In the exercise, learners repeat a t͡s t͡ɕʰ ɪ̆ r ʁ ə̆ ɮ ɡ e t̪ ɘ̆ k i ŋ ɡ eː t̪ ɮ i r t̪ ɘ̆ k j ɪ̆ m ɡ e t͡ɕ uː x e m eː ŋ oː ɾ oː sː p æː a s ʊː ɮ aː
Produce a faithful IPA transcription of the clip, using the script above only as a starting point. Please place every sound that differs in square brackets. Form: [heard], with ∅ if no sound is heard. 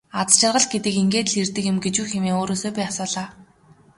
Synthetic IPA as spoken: a t͡s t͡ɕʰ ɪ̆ r ʁ ə̆ ɮ ɡ e t̪ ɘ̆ k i ŋ ɡ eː t̪ ɮ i r t̪ ɘ̆ k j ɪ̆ m ɡ e t͡ɕ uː x e m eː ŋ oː ɾ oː sː p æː a s ʊː ɮ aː